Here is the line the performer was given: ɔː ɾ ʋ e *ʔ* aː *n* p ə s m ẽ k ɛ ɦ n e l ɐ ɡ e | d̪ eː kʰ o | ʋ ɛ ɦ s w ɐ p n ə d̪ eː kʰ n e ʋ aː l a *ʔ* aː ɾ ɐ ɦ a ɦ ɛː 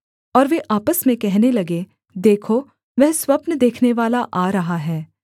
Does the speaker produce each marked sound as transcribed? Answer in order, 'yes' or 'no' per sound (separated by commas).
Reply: yes, no, yes